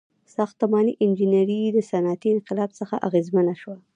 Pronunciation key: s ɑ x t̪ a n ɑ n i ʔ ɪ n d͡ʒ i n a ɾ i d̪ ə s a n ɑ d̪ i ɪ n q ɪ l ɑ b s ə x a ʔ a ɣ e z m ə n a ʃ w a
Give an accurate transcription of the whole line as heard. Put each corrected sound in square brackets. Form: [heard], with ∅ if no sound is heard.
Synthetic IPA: s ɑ x t̪ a [m] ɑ n i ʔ ɪ n d͡ʒ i n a ɾ i d̪ ə s a n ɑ [t̪] i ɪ n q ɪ l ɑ b s ə x a ʔ a ɣ e z m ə n a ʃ w a